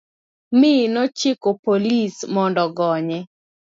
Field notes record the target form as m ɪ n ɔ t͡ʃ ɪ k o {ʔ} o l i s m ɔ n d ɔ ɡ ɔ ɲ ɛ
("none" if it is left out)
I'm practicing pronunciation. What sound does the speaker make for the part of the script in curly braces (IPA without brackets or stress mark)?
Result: p